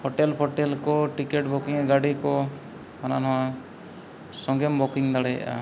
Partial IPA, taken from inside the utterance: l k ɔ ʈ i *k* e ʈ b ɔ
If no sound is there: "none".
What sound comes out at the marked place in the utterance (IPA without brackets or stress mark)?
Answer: k